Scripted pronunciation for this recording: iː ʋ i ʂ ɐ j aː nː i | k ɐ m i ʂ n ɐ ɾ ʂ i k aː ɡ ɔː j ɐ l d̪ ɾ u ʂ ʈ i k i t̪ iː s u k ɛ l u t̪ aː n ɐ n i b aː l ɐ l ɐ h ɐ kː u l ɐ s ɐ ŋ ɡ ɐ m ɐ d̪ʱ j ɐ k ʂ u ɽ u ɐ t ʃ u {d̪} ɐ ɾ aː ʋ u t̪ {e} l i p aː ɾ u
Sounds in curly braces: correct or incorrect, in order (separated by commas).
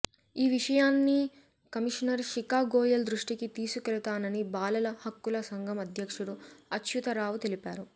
incorrect, correct